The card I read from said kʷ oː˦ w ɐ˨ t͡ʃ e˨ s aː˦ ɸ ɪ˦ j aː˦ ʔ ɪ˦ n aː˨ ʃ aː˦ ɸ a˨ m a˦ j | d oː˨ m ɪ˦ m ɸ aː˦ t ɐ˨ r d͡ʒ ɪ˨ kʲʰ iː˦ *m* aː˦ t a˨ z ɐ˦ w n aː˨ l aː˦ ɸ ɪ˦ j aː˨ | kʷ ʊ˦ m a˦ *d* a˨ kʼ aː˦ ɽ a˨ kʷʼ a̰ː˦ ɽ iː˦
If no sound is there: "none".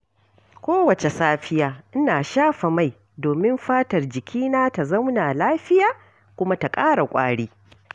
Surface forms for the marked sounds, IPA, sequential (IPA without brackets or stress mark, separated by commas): n, t